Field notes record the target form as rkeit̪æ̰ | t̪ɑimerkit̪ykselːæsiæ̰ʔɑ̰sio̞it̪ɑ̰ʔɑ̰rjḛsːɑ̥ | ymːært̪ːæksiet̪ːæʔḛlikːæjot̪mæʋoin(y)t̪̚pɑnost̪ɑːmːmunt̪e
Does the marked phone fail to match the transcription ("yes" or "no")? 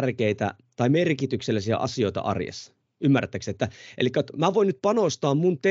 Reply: no